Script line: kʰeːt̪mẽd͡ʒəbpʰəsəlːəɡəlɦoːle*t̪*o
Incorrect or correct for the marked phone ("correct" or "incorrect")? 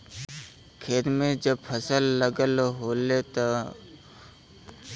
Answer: correct